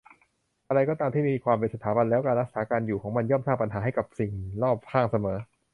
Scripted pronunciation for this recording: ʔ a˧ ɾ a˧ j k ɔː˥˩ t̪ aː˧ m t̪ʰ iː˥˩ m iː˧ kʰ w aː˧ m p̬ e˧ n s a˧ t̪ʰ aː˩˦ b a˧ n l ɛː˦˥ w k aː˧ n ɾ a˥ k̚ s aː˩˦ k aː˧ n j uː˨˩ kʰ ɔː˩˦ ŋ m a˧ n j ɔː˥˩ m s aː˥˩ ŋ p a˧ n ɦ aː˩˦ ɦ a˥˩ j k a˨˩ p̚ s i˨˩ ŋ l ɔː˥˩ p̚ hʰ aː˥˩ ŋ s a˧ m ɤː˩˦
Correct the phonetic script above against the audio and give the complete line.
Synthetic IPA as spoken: ʔ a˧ ɾ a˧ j k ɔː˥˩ t̪ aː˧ m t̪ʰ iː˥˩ m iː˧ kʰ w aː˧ m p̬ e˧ n s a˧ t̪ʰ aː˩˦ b a˧ n l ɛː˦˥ w k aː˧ n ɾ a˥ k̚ s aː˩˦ k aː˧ n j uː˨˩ kʰ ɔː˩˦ ŋ m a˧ n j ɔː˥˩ m s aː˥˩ ŋ p a˧ n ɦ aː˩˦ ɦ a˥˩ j k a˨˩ p̚ s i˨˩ ŋ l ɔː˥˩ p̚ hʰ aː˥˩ ŋ s a˧ m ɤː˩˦